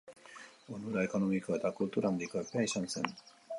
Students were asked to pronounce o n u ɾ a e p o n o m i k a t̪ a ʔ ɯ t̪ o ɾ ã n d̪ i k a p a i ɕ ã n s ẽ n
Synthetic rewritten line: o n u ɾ a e k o n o m i k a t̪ a k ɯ t̪ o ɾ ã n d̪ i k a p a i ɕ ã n s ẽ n